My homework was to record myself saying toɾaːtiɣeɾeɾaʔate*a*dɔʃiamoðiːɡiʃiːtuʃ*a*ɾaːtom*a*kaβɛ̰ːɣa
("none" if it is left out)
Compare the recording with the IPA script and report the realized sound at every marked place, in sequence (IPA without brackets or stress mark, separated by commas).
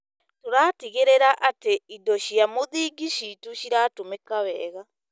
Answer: i, i, e